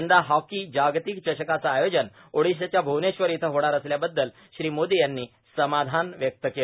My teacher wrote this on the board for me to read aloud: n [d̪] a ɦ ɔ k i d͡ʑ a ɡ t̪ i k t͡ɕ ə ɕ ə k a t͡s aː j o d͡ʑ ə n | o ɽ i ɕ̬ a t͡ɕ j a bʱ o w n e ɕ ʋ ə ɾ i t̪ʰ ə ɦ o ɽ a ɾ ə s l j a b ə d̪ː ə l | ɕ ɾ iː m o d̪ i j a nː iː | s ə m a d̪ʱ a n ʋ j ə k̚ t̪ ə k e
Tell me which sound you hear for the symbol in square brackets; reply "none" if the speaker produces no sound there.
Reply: d̪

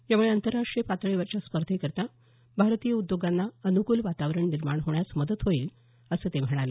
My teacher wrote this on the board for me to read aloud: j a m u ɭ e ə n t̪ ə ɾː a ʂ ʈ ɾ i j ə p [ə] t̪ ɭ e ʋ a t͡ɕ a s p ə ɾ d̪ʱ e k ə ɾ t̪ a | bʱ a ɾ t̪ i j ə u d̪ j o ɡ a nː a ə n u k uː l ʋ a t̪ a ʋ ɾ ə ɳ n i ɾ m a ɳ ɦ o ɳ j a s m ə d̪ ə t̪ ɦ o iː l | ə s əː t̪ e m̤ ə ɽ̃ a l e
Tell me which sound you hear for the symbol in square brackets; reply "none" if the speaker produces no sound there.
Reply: a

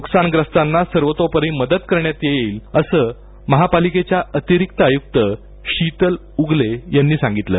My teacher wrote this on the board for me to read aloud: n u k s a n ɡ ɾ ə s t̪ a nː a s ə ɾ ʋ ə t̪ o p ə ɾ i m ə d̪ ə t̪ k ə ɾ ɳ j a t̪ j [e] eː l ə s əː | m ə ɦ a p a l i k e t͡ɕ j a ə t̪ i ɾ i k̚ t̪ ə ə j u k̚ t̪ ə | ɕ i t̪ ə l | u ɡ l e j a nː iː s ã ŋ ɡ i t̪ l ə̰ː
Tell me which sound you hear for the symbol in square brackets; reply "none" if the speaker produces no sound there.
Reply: e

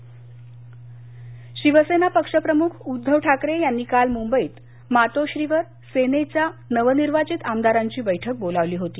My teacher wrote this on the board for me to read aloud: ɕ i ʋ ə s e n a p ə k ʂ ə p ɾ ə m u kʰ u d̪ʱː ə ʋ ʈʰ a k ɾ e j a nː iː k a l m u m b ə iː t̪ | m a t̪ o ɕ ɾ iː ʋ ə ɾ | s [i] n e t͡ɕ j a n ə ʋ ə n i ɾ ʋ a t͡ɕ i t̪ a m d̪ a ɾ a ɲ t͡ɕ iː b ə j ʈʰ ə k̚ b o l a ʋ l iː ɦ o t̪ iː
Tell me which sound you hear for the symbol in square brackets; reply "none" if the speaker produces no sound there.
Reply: e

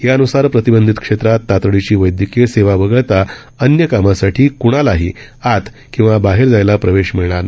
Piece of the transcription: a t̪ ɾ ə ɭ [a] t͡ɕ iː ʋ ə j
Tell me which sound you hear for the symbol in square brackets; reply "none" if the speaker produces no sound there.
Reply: i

